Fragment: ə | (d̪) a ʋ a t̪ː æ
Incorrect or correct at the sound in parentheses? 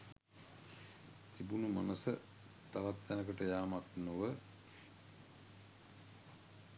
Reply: incorrect: t̪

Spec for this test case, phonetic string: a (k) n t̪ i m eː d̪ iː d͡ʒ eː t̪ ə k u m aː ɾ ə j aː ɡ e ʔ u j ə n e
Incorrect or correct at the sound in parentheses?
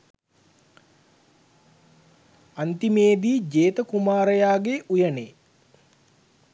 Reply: incorrect: none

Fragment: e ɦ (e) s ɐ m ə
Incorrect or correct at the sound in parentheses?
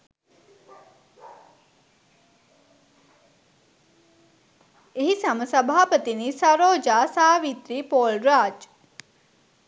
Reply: incorrect: i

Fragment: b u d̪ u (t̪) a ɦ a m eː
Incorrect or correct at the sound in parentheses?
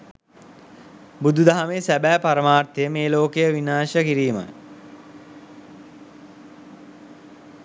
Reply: incorrect: d̪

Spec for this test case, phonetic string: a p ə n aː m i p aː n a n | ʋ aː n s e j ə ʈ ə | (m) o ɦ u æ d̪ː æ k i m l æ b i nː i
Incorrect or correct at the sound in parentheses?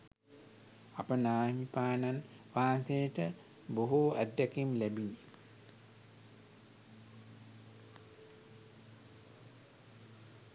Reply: incorrect: b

